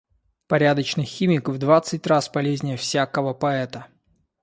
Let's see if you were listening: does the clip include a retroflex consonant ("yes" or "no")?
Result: no